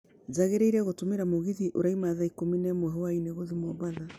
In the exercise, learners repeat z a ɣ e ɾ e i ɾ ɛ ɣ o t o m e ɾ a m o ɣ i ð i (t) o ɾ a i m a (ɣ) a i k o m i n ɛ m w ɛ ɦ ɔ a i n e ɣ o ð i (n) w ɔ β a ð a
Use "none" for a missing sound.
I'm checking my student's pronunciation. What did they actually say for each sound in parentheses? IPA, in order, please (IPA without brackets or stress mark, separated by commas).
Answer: ʔ, ð, m